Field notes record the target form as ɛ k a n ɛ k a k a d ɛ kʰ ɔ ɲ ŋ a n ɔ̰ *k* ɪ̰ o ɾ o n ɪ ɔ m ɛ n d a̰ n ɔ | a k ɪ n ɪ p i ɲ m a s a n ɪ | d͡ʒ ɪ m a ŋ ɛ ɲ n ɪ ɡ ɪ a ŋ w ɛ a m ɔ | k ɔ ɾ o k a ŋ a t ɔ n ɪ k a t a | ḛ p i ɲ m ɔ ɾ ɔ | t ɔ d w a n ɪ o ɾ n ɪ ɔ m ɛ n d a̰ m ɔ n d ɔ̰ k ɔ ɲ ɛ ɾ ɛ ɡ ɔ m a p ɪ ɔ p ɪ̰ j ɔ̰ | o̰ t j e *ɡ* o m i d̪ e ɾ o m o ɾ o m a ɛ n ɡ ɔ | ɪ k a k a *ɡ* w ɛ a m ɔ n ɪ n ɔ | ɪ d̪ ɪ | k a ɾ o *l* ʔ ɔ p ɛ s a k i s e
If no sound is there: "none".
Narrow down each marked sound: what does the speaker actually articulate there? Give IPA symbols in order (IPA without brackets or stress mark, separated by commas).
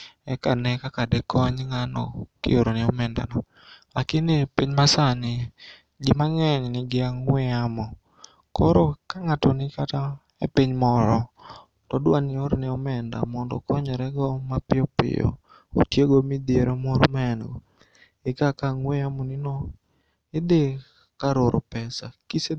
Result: k, ɡ, ŋ, ɾ